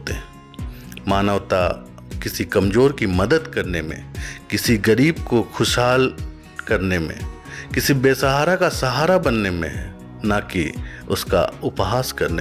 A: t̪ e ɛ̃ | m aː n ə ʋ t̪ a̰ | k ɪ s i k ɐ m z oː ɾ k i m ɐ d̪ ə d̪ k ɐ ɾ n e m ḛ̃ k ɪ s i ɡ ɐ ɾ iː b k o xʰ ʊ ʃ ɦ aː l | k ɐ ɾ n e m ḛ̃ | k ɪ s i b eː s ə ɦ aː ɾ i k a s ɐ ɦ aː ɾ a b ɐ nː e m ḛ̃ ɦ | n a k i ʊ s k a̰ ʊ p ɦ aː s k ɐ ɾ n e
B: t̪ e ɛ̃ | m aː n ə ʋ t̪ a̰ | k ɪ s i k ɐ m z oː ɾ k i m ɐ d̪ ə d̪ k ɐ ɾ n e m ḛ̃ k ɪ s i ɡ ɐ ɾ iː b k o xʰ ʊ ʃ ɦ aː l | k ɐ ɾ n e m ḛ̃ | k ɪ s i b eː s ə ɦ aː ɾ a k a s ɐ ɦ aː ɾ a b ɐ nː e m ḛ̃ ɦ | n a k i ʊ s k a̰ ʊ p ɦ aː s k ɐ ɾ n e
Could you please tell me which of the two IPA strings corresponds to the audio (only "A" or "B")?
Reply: B